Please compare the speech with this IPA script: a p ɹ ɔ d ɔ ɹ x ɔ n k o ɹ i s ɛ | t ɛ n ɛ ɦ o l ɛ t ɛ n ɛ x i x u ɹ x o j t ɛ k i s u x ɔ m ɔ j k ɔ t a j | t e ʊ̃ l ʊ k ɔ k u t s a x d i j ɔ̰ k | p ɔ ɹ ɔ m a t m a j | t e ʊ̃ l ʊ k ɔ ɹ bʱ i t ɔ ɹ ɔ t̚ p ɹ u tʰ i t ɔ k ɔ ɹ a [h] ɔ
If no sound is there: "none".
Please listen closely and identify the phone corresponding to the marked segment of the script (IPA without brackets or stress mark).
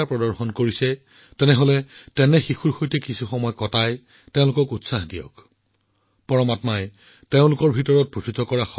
x